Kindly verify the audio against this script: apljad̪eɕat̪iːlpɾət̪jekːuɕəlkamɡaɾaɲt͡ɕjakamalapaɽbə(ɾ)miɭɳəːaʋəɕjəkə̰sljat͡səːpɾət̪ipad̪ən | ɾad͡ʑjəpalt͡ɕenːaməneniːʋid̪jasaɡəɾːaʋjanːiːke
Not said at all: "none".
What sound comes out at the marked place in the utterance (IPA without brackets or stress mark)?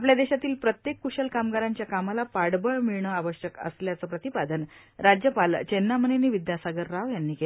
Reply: ɭ